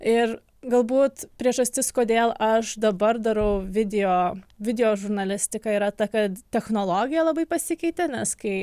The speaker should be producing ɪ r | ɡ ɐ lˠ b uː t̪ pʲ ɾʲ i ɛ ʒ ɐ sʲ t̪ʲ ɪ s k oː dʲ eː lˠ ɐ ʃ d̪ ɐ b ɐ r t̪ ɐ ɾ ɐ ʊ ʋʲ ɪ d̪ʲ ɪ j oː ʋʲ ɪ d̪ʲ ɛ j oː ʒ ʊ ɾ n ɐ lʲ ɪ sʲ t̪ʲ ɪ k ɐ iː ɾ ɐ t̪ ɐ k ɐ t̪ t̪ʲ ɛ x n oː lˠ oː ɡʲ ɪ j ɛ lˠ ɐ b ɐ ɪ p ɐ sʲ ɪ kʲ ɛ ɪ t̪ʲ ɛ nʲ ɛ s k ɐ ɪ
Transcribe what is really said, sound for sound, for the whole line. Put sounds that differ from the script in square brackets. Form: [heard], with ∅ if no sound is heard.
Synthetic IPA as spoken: ɪ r | ɡ ɐ lˠ b uː t̪ pʲ ɾʲ i ɛ ʒ ɐ sʲ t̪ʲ ɪ s k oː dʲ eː lˠ ɐ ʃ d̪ ɐ b ɐ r [d̪] ɐ ɾ ɐ ʊ ʋʲ ɪ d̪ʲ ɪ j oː ʋʲ ɪ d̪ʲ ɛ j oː ʒ ʊ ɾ n ɐ lʲ ɪ sʲ t̪ʲ ɪ k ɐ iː ɾ ɐ t̪ ɐ k ɐ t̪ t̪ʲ ɛ x n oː lˠ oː ɡʲ ɪ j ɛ lˠ ɐ b ɐ ɪ p ɐ sʲ ɪ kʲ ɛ ɪ t̪ʲ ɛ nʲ ɛ s k ɐ ɪ